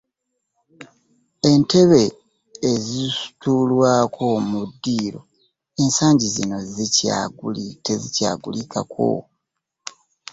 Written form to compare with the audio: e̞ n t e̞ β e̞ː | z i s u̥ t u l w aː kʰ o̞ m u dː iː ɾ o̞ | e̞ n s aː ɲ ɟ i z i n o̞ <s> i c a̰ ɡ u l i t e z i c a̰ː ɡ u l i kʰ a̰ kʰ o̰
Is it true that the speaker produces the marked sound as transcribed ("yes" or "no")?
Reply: no